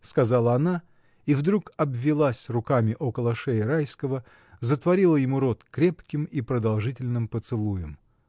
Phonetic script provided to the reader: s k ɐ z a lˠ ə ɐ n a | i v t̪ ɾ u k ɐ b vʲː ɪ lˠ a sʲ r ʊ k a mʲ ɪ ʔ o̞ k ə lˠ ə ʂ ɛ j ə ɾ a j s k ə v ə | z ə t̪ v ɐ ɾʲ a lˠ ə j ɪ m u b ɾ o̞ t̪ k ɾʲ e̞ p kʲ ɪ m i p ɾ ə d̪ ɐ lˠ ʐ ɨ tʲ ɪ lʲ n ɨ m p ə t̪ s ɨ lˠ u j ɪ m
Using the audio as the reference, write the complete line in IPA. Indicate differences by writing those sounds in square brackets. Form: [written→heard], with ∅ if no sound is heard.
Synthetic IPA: s k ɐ z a lˠ ə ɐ n a | i v [t̪→d̪] ɾ u k ɐ b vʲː ɪ lˠ a sʲ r ʊ k a mʲ ɪ ʔ o̞ k ə lˠ ə ʂ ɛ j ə ɾ a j s k ə v ə | z ə t̪ v ɐ ɾʲ [a→i] lˠ ə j ɪ m u [b→∅] ɾ o̞ t̪ k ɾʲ e̞ p kʲ ɪ m i p ɾ ə d̪ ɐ lˠ ʐ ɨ tʲ ɪ lʲ n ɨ m p ə t̪ s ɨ lˠ u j ɪ m